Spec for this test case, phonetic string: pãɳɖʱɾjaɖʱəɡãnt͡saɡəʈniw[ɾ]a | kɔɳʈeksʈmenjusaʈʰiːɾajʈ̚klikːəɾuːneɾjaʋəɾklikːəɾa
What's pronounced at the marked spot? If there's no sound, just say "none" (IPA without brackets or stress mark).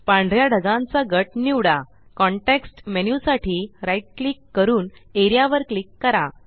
ɽ